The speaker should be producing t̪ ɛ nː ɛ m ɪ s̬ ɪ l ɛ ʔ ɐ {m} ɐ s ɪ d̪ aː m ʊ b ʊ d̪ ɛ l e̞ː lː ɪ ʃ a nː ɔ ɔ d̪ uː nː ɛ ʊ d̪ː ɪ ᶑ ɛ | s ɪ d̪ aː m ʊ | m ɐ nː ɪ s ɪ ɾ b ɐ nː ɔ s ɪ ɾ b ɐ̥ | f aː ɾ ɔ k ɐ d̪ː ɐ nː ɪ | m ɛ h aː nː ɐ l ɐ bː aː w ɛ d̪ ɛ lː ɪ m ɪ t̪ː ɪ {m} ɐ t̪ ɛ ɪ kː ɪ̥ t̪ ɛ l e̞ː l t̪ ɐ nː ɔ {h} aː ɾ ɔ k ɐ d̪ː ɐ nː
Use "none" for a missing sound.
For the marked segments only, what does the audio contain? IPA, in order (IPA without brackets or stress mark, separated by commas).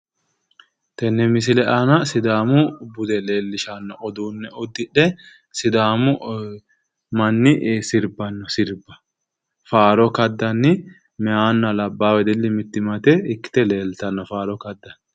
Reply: n, m, f